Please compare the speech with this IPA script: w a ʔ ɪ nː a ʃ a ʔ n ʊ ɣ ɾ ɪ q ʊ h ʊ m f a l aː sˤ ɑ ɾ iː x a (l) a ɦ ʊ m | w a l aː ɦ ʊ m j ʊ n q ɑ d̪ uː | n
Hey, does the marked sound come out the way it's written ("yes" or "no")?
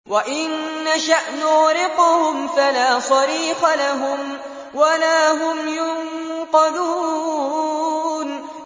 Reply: yes